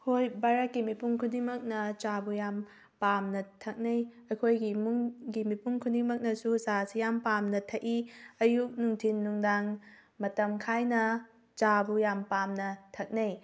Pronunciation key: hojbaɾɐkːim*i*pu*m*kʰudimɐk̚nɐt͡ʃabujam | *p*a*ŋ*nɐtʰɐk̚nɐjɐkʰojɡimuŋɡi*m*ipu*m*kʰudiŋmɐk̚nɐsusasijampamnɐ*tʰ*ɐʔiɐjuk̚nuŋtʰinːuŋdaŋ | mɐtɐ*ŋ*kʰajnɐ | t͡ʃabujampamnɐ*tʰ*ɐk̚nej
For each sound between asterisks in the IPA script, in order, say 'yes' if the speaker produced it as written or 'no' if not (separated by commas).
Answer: yes, no, yes, no, yes, no, yes, no, yes